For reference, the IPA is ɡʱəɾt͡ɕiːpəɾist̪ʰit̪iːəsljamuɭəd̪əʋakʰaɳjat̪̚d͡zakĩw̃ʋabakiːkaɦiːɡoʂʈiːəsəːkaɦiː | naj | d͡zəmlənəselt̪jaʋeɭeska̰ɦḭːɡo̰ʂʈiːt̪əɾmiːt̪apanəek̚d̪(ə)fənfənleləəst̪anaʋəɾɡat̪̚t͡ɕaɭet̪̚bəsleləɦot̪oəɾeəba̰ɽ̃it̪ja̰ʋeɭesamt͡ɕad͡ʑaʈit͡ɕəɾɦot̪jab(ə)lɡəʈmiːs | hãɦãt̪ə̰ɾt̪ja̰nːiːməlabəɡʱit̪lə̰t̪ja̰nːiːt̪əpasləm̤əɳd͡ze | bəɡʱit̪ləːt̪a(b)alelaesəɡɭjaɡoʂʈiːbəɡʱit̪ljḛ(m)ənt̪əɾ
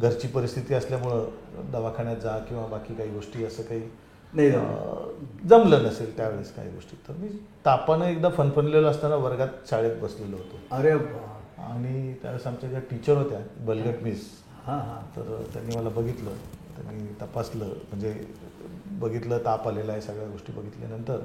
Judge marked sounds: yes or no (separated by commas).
no, yes, no, no